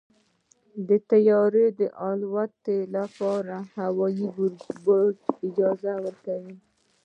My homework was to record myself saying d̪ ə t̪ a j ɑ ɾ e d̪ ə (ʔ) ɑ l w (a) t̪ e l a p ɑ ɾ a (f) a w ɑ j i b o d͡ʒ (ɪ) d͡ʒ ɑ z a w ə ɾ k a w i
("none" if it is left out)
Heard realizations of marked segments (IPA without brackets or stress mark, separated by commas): ʔ, a, h, ɪ